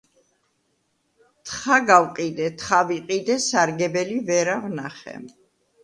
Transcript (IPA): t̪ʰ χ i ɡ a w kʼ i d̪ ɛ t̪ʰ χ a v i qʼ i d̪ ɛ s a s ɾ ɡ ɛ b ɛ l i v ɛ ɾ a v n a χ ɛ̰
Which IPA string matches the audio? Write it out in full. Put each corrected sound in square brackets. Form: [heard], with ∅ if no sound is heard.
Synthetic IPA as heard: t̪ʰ χ [a] ɡ a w [qʼ] i d̪ ɛ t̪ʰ χ a v i qʼ i d̪ ɛ s a [∅] ɾ ɡ ɛ b ɛ l i v ɛ ɾ a v n a χ ɛ̰